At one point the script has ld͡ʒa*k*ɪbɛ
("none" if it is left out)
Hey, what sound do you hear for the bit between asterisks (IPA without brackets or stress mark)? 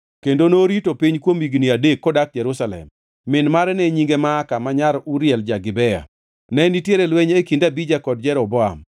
ɡ